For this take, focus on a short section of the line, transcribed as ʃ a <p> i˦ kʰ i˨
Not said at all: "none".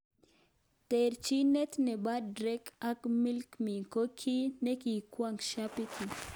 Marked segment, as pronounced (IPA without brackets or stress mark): p